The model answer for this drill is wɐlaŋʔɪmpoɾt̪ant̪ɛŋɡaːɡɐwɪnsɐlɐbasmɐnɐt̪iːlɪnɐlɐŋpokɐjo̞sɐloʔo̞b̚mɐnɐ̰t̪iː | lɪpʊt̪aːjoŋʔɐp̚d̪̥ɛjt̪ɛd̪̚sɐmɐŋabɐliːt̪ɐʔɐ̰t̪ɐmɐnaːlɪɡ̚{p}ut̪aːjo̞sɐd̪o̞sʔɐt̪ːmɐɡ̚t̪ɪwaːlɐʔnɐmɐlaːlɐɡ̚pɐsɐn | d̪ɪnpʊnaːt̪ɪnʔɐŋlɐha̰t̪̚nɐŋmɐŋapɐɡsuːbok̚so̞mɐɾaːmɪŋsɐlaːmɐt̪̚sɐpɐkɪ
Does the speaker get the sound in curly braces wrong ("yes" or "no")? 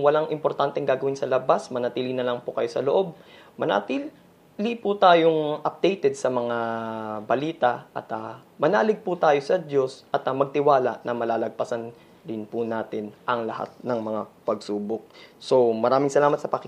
no